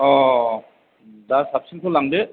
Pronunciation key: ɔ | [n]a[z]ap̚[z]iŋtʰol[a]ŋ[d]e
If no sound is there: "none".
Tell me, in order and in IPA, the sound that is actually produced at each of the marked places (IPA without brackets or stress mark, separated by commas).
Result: d, s, s, a, d